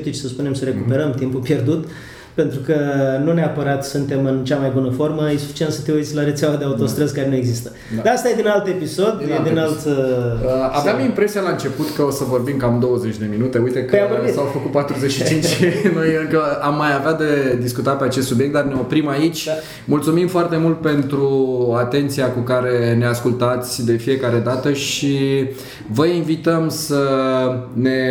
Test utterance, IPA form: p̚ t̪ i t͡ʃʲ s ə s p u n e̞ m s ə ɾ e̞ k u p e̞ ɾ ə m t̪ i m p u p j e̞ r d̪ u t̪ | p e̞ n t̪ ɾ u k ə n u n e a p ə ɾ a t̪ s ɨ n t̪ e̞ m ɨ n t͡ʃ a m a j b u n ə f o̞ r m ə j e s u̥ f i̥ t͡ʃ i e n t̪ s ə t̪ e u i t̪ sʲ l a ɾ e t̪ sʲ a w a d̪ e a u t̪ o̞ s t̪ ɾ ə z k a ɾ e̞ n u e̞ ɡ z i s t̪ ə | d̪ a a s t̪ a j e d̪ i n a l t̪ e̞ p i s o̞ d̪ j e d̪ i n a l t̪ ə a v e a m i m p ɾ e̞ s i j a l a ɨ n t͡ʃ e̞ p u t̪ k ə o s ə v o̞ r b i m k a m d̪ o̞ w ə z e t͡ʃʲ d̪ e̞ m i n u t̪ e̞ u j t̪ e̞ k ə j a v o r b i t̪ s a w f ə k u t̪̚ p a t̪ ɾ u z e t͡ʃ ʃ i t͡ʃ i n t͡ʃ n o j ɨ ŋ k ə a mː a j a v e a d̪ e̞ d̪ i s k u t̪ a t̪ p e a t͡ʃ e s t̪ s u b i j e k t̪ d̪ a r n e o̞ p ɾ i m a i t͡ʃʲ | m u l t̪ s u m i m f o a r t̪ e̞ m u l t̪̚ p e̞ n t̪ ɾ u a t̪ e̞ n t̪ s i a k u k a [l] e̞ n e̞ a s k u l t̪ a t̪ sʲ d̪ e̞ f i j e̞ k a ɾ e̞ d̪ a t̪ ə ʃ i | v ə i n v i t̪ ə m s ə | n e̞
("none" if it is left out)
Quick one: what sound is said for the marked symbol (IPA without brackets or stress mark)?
ɾ